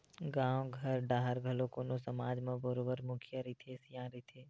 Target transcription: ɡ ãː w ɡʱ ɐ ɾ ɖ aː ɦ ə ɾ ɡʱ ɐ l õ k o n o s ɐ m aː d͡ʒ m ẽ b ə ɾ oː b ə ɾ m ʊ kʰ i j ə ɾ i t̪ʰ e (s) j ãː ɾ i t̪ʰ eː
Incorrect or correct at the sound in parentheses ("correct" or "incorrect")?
correct